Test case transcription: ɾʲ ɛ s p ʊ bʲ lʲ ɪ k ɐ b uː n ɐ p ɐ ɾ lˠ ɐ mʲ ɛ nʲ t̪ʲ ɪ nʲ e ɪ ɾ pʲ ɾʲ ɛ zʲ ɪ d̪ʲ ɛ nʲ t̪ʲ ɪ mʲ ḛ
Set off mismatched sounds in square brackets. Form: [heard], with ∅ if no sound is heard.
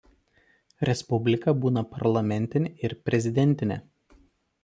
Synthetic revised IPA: ɾʲ ɛ s p ʊ bʲ lʲ ɪ k ɐ b uː n ɐ p ɐ ɾ lˠ ɐ mʲ ɛ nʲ t̪ʲ ɪ nʲ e ɪ ɾ pʲ ɾʲ ɛ zʲ ɪ d̪ʲ ɛ nʲ t̪ʲ ɪ [nʲ] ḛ